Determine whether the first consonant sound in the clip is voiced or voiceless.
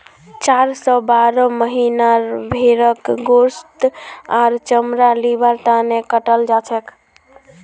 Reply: voiceless